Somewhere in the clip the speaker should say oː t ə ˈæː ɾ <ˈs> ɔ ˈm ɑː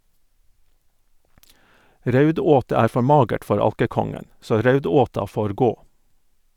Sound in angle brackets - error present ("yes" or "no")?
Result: yes